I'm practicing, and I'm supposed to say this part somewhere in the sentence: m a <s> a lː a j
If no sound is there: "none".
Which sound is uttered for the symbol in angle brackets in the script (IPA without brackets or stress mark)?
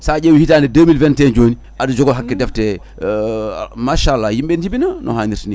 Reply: ʃ